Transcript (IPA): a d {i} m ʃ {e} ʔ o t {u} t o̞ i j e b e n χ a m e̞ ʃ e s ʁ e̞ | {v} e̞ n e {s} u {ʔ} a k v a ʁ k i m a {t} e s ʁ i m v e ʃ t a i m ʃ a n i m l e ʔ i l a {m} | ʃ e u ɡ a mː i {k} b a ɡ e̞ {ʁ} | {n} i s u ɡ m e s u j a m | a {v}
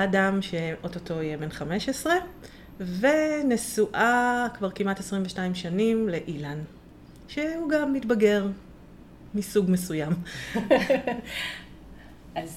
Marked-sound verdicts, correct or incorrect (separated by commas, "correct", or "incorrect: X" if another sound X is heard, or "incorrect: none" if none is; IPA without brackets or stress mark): incorrect: a, correct, incorrect: o, correct, correct, correct, correct, incorrect: n, incorrect: t, correct, incorrect: m, incorrect: z